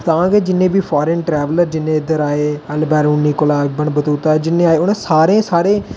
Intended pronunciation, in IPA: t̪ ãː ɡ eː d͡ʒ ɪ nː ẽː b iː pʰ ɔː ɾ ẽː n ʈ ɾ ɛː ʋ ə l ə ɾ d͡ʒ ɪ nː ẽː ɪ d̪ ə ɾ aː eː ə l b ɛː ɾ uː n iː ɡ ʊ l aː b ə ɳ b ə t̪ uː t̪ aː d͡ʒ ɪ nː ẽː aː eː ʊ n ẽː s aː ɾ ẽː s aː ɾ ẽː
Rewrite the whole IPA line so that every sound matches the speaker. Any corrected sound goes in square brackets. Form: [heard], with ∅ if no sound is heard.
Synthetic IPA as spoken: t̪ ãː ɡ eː d͡ʒ ɪ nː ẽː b iː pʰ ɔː ɾ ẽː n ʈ ɾ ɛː ʋ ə l ə ɾ d͡ʒ ɪ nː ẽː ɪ d̪ ə ɾ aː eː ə l b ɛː ɾ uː n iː [k] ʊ l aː b ə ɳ b ə t̪ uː t̪ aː d͡ʒ ɪ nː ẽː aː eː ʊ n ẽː s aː ɾ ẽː s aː ɾ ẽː